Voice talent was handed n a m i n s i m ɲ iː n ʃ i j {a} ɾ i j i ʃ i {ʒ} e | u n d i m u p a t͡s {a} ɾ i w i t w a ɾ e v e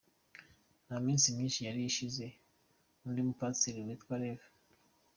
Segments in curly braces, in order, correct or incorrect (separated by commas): correct, incorrect, incorrect